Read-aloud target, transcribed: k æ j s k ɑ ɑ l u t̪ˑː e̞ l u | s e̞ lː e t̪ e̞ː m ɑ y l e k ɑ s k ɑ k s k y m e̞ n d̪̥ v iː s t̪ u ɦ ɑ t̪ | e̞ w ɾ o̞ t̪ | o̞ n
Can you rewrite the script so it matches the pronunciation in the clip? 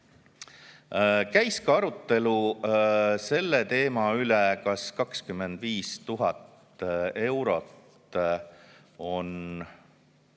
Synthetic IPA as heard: k æ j s k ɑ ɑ ɾ u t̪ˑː e̞ l u | s e̞ lː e t̪ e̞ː m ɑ y l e k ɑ s k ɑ k s k y m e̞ n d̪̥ v iː s t̪ u ɦ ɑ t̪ | e̞ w ɾ o̞ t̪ | o̞ n